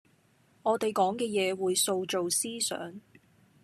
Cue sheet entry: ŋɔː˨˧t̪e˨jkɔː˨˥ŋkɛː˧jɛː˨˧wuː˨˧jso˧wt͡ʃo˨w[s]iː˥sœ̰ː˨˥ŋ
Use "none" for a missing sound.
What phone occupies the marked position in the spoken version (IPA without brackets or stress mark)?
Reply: s